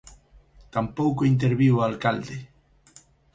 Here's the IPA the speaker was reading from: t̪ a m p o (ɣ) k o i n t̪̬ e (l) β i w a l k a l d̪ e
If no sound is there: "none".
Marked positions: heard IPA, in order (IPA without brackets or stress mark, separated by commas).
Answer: w, ɾ